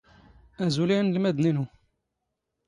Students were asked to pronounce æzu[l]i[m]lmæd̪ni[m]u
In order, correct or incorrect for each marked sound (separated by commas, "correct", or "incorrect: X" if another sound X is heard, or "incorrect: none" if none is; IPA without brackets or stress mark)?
correct, incorrect: n, incorrect: n